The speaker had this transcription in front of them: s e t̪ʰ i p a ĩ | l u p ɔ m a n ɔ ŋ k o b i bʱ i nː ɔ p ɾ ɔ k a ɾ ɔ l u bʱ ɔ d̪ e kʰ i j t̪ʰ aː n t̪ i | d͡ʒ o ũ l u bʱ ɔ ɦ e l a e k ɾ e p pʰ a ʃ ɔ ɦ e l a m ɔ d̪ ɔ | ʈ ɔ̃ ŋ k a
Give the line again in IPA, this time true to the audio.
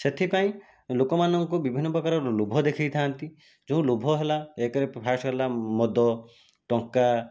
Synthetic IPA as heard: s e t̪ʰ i p a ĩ | l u k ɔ m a n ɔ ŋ k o b i bʱ i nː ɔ p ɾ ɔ k a ɾ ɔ l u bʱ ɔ d̪ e kʰ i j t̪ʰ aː n t̪ i | d͡ʒ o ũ l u bʱ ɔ ɦ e l a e k ɾ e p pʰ a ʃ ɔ ɦ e l a m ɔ d̪ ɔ | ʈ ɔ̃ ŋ k a